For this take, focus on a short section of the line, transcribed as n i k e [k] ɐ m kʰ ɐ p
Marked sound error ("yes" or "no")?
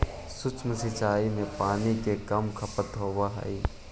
no